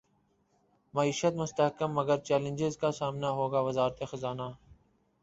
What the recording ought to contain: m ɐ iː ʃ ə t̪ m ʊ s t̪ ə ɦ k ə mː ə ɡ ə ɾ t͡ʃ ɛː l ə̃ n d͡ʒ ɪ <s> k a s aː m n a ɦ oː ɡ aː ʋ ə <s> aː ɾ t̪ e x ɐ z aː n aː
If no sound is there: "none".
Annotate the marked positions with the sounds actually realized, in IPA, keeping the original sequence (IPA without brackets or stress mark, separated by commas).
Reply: z, z